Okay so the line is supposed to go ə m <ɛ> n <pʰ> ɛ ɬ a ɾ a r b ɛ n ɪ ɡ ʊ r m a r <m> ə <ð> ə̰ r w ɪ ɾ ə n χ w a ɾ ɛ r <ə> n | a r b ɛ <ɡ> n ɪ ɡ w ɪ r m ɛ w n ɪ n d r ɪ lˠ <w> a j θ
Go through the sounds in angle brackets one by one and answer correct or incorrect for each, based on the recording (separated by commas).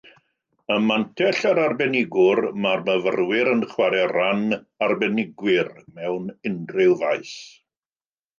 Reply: incorrect, incorrect, correct, incorrect, incorrect, incorrect, incorrect